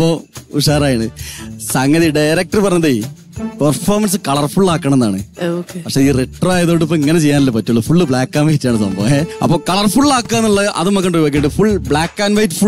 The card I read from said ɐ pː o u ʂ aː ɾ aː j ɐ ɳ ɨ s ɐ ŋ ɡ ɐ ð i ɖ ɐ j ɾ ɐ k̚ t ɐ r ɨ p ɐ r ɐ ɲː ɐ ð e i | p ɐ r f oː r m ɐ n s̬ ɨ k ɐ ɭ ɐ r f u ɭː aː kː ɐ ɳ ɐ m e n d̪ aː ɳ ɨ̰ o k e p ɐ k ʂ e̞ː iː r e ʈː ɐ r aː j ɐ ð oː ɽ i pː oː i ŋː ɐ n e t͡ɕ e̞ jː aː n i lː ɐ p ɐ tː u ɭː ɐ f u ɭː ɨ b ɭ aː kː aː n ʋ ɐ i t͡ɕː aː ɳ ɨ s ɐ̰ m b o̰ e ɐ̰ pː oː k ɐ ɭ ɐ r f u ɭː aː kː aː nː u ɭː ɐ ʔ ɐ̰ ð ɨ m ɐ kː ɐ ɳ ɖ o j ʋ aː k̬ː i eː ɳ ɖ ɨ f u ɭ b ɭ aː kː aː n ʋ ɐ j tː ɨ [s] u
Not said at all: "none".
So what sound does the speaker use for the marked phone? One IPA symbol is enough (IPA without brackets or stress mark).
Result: f